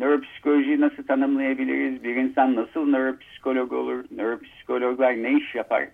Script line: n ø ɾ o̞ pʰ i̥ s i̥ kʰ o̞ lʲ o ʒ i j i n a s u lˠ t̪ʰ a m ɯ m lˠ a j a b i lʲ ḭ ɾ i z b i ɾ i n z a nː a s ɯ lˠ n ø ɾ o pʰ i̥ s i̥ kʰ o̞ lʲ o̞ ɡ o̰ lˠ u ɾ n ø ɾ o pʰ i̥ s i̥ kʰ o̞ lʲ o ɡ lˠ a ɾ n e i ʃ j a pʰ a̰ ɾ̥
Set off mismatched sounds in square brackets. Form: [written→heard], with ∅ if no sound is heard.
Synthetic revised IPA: n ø ɾ o̞ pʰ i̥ s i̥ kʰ o̞ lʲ o ʒ i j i n a s [u→ɯ] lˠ t̪ʰ a [m→n] ɯ m lˠ a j a b i lʲ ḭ ɾ i z b i ɾ i n [z→s] a nː a s ɯ lˠ n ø ɾ o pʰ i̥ s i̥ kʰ o̞ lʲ o̞ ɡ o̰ lˠ u ɾ n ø ɾ o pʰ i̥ s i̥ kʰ o̞ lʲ o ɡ lˠ a ɾ n e i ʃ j a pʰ a̰ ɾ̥